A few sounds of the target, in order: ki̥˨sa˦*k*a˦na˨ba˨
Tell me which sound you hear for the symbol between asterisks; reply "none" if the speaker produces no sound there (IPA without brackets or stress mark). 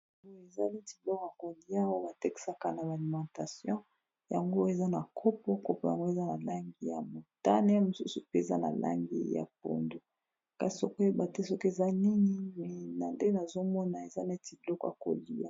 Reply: k